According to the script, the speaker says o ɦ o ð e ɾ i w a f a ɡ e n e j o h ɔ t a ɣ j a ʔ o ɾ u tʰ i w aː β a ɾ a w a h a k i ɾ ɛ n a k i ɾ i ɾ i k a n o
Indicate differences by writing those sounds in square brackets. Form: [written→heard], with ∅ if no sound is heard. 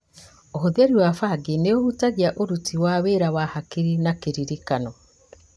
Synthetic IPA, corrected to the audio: o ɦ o ð e ɾ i w a f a ɡ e n e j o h [ɔ→u] t a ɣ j a ʔ o ɾ u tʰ i w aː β [a→e] ɾ a w a h a k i ɾ [ɛ→i] n a k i ɾ i ɾ i k a n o